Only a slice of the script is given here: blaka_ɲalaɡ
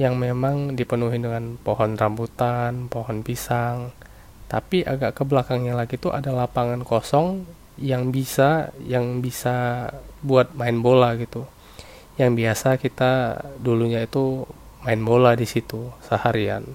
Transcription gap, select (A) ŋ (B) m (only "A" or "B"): A